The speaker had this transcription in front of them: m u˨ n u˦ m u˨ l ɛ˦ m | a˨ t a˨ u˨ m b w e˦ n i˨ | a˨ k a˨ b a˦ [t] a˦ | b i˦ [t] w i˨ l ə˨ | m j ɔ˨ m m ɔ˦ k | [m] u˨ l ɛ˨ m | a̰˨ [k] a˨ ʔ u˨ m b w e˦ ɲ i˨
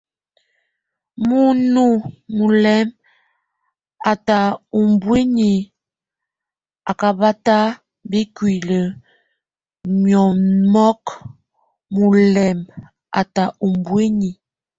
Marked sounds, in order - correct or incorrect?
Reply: correct, incorrect: k, correct, incorrect: t

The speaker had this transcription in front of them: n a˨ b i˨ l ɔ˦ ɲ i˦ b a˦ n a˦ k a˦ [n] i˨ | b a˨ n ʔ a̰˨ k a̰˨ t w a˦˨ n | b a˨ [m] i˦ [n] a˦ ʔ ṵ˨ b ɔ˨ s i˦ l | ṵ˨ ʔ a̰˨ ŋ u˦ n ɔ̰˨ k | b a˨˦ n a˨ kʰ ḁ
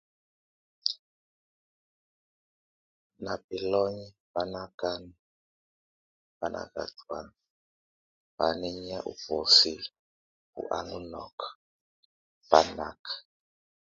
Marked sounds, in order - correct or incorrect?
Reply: correct, incorrect: n, incorrect: ɲ

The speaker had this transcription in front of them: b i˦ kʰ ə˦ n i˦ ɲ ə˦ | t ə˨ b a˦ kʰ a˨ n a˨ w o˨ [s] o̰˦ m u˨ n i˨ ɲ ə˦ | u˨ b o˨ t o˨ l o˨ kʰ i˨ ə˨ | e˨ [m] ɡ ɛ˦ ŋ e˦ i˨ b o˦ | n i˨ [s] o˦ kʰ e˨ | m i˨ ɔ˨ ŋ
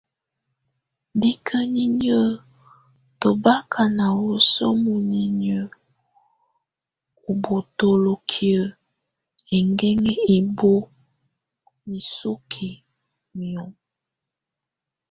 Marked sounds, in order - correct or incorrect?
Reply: correct, incorrect: ŋ, correct

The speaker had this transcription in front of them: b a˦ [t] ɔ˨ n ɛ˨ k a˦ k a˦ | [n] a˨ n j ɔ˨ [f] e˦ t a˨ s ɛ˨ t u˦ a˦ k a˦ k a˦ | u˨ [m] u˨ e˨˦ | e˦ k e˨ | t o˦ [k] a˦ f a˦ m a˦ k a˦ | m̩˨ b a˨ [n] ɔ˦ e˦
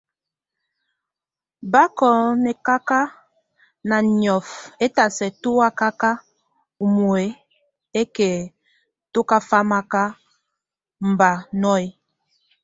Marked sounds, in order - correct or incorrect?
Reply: incorrect: k, correct, correct, correct, correct, correct

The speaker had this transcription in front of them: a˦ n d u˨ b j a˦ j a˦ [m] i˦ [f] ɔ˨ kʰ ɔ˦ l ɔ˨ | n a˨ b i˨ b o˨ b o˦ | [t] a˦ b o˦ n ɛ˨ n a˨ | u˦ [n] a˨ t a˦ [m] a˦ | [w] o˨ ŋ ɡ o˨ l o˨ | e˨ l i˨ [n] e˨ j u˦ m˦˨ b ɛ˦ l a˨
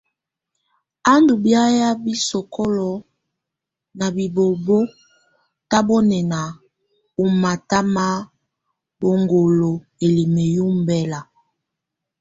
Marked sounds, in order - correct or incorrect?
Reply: incorrect: b, incorrect: s, correct, incorrect: m, correct, incorrect: b, incorrect: m

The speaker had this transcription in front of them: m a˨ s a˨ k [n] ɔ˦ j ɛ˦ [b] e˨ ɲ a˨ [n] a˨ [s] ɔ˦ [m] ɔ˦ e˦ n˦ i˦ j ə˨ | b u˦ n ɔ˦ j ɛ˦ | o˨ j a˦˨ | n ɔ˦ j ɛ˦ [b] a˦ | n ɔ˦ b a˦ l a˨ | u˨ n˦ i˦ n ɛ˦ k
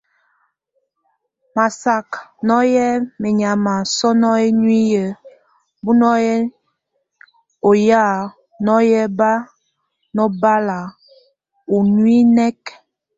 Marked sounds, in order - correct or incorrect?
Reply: correct, incorrect: m, incorrect: m, correct, incorrect: n, correct

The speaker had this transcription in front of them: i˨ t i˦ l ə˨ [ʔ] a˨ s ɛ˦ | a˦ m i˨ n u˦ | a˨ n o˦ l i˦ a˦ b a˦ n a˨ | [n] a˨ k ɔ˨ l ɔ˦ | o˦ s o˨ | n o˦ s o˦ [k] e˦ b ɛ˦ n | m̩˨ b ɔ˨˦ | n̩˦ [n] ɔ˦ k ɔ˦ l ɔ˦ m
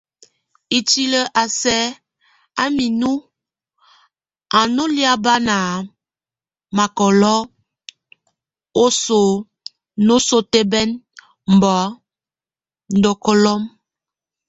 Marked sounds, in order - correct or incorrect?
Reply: correct, incorrect: m, incorrect: t, incorrect: d

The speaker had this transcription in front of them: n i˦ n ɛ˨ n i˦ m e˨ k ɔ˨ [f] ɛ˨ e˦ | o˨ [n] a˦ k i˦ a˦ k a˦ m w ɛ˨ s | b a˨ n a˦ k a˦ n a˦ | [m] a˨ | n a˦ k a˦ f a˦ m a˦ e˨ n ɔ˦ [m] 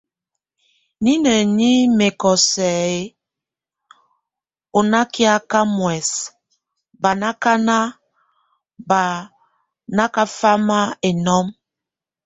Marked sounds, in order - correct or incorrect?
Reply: incorrect: s, correct, incorrect: b, correct

